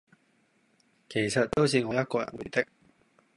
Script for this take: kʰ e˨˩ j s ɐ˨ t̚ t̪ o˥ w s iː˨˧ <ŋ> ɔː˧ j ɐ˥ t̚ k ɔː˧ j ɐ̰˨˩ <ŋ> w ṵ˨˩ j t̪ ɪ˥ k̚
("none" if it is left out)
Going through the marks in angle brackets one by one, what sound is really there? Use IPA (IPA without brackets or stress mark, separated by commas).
ŋ, n